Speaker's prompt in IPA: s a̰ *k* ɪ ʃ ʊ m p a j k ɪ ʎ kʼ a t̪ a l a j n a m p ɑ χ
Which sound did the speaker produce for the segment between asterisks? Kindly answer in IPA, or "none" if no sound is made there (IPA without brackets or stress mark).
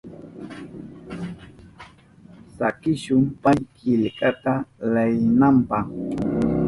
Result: k